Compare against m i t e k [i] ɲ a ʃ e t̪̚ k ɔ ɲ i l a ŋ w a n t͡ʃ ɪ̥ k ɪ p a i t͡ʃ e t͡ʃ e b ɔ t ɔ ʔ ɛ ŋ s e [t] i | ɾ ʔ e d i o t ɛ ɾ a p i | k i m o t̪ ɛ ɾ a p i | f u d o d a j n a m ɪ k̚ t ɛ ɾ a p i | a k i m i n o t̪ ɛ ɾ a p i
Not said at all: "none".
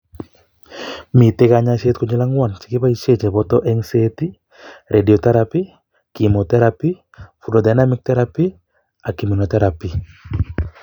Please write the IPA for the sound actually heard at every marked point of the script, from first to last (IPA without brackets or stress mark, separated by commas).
a, t